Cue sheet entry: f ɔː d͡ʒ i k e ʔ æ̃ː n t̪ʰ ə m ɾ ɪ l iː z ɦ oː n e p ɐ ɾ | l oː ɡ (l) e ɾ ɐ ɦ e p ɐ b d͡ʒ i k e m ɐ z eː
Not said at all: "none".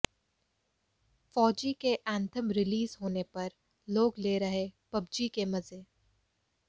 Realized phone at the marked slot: l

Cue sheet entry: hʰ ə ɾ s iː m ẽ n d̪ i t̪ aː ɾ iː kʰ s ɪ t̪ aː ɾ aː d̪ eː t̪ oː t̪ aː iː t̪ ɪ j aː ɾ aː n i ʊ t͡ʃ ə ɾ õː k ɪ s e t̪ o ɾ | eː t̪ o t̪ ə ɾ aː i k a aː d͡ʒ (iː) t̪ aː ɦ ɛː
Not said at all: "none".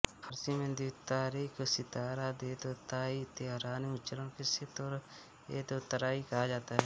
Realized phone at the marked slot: aː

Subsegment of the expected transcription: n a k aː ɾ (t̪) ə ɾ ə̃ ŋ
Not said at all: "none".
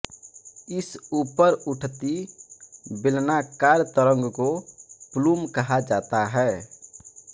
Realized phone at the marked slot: t̪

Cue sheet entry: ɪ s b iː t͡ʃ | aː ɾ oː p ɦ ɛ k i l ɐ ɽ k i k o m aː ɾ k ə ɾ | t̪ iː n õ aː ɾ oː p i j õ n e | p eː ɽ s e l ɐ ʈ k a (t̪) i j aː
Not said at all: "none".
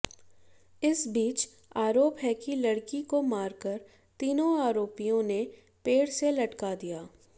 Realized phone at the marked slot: d̪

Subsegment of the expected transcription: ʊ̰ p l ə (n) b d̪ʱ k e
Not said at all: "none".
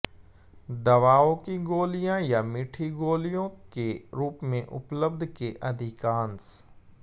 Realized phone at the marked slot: none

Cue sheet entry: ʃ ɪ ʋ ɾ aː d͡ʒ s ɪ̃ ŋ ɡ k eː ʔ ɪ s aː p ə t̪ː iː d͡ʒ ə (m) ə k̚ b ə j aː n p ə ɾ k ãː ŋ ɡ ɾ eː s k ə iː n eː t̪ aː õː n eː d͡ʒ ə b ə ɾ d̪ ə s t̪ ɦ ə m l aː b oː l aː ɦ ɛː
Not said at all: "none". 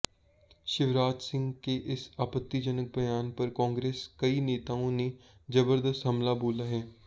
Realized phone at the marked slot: n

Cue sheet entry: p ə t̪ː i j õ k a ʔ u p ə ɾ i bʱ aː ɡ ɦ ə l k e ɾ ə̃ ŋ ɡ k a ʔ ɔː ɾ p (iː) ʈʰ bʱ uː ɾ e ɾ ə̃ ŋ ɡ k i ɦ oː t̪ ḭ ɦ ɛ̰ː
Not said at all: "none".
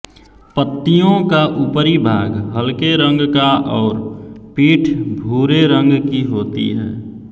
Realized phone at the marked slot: iː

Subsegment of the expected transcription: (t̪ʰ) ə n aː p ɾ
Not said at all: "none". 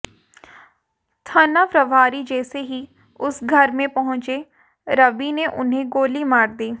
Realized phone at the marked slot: t̪ʰ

